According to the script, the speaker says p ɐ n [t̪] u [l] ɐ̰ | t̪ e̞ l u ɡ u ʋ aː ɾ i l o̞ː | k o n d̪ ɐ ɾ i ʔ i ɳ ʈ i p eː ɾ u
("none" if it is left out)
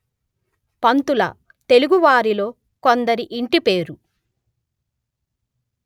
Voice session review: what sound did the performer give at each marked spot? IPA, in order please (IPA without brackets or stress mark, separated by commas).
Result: t̪, l